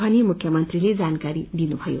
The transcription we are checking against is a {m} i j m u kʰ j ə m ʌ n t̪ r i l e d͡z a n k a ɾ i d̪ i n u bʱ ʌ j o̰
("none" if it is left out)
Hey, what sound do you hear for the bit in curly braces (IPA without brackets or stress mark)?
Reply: n